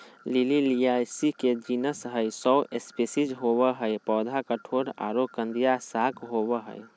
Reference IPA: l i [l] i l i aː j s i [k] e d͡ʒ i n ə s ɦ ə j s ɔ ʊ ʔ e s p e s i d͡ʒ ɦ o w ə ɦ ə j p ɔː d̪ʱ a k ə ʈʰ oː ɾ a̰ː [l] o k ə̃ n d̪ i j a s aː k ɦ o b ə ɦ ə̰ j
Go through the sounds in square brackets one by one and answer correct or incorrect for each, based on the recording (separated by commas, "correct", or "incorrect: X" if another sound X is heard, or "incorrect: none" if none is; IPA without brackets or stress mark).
correct, correct, incorrect: ɾ